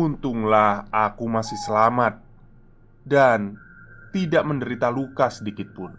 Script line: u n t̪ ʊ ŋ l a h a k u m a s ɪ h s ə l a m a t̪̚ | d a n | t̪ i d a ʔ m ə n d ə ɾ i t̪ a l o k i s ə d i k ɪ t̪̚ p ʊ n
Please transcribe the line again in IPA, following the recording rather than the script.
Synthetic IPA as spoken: u n t̪ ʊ ŋ l a h a k u m a s ɪ h s ə l a m a t̪̚ | d a n | t̪ i d a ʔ m ə n d ə ɾ i t̪ a l u k a s ə d i k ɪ t̪̚ p ʊ n